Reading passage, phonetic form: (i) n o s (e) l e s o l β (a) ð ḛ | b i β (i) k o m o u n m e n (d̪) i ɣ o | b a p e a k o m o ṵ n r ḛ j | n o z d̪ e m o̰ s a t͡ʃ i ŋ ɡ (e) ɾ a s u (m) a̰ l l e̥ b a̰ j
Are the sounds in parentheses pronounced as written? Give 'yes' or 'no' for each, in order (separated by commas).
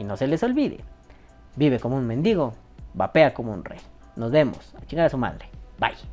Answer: yes, yes, no, no, yes, no, yes